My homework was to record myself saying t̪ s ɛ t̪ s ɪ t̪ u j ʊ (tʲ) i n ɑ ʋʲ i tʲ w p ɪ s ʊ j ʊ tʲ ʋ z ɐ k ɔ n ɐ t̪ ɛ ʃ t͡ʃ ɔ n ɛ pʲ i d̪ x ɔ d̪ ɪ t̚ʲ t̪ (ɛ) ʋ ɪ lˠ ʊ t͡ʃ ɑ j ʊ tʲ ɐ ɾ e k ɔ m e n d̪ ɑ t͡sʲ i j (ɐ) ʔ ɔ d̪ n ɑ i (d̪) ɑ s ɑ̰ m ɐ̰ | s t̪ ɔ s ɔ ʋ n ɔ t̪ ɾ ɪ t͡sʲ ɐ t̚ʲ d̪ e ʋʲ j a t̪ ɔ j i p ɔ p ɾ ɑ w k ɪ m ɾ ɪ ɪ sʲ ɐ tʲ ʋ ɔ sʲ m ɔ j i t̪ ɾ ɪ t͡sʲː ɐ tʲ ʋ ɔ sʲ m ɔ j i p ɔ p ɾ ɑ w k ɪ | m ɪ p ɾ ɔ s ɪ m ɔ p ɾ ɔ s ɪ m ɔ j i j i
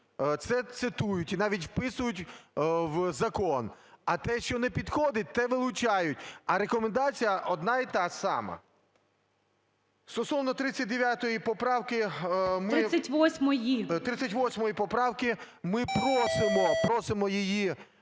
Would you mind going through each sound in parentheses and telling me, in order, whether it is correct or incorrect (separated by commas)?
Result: correct, correct, correct, incorrect